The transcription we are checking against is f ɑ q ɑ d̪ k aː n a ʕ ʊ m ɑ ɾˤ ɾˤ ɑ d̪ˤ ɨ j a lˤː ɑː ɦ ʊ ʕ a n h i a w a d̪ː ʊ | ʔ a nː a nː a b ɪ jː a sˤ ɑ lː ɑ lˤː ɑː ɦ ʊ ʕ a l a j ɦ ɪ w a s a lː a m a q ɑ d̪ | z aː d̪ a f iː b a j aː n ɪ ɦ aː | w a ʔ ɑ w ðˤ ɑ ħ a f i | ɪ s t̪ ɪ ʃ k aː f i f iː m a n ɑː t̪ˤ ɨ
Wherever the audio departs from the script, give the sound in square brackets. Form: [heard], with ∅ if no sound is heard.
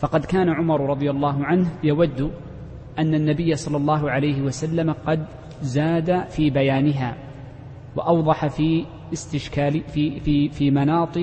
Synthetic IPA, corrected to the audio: f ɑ q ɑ d̪ k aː n a ʕ ʊ m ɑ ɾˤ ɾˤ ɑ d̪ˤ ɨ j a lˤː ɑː ɦ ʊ ʕ a n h [j] a w a d̪ː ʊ | ʔ a nː a nː a b ɪ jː a sˤ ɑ lː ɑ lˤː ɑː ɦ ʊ ʕ a l a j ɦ ɪ w a s a lː a m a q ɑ d̪ | z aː d̪ a f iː b a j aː n ɪ ɦ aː | w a ʔ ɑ w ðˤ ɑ ħ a f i | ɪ s t̪ ɪ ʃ k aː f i f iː m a n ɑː t̪ˤ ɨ